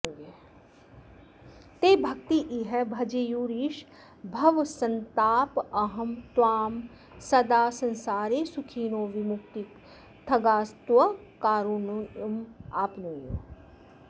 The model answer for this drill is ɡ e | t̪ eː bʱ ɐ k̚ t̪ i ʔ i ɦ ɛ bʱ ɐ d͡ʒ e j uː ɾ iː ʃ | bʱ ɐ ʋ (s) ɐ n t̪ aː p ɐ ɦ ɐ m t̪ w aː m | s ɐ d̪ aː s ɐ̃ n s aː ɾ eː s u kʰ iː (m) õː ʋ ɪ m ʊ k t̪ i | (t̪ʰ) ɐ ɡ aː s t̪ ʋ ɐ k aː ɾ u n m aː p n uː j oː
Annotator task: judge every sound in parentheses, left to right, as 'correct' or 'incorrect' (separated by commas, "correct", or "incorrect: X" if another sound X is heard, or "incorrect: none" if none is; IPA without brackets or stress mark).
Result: correct, incorrect: n, correct